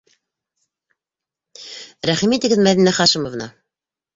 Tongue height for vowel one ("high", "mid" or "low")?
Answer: low